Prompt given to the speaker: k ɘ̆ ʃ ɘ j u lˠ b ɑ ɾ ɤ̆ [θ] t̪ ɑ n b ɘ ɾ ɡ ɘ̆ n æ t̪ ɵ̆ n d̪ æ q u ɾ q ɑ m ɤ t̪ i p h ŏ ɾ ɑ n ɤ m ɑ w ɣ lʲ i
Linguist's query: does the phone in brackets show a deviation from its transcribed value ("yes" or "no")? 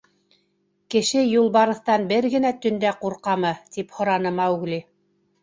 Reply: no